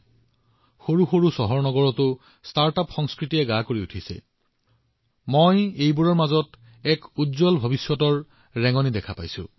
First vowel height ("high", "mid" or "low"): mid